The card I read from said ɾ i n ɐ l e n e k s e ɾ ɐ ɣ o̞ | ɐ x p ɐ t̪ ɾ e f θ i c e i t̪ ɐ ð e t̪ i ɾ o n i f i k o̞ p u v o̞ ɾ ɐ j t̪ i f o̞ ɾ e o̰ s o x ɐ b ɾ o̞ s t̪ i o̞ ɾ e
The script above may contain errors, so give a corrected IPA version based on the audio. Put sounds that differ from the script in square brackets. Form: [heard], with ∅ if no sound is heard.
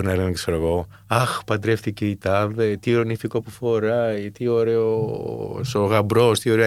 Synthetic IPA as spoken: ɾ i n ɐ l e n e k s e ɾ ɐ ɣ o̞ | ɐ x p ɐ [d̪] ɾ e f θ i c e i t̪ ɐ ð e t̪ i ɾ o n i f i k o̞ p u [f] o̞ ɾ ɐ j t̪ i [∅] o̞ ɾ e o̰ s o [ɣ] ɐ b ɾ o̞ s t̪ i o̞ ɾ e